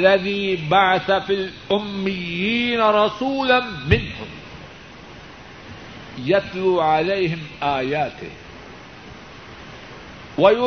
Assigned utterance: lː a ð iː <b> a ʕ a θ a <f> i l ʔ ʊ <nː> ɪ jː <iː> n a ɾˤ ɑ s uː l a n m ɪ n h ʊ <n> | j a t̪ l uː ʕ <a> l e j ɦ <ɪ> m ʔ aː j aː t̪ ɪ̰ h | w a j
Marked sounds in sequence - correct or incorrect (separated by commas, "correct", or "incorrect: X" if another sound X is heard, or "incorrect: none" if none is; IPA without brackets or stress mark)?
correct, correct, incorrect: mː, correct, incorrect: m, correct, correct